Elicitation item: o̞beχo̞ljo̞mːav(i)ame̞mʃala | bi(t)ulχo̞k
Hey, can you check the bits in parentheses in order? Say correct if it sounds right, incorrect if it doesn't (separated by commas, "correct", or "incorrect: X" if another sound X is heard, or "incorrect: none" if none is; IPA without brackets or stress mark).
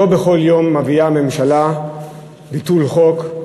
correct, correct